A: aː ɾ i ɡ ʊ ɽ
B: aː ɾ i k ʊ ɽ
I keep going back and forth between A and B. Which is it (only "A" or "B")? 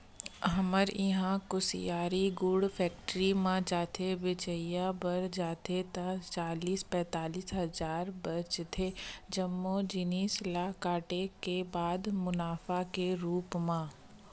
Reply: A